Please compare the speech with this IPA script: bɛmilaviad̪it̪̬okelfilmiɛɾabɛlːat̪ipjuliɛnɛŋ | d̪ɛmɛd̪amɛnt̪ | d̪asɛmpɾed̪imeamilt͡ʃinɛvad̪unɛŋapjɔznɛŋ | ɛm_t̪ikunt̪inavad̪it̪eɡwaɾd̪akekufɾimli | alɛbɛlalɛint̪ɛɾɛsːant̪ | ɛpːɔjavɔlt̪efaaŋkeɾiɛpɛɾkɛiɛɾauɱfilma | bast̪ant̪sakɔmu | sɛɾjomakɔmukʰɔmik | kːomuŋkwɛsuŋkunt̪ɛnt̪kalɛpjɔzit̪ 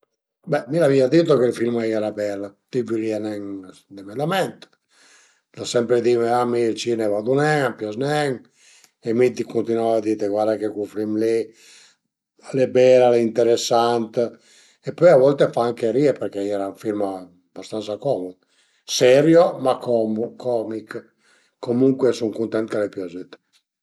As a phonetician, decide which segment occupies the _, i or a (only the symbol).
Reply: i